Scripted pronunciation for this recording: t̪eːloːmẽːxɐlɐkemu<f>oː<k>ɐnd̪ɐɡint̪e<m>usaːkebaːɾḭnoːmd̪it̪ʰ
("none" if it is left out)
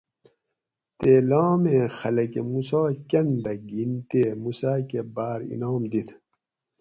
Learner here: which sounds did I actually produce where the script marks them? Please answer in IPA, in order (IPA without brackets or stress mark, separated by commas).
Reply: s, k, m